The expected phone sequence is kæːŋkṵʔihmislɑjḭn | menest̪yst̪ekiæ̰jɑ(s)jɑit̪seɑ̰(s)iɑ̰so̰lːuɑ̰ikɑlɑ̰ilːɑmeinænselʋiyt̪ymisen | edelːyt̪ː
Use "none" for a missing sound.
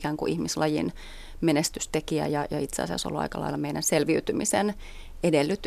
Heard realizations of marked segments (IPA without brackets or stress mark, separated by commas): none, s